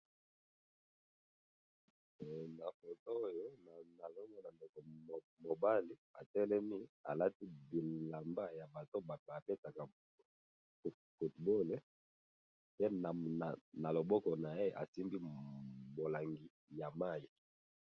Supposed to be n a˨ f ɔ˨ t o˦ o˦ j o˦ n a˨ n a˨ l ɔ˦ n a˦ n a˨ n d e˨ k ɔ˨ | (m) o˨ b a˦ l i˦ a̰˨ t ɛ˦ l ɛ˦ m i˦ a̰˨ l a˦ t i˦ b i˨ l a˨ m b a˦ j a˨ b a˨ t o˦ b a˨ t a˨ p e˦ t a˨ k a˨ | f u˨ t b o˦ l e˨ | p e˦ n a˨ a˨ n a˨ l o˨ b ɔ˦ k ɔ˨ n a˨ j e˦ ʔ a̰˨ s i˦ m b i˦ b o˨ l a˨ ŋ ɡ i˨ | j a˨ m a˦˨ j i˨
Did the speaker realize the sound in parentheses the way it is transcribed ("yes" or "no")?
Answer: yes